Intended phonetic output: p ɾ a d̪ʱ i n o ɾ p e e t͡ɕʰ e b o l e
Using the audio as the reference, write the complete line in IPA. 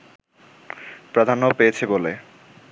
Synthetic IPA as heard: p ɾ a d̪ʱ a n o p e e t͡ɕʰ e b o l e